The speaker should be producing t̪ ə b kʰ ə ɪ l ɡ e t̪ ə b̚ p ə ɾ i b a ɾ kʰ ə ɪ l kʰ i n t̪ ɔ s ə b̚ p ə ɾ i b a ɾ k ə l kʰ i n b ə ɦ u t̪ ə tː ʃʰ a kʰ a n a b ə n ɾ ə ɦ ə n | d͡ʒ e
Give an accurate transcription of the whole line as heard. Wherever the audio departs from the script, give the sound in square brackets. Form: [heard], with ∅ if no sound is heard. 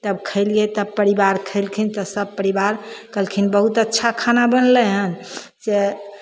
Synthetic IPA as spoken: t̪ ə b kʰ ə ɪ l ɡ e t̪ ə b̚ p ə ɾ i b a ɾ kʰ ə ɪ l kʰ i n t̪ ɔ s ə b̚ p ə ɾ i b a ɾ k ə l kʰ i n b ə ɦ u t̪ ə tː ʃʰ a kʰ a n a b ə n [l] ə ɦ ə n | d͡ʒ e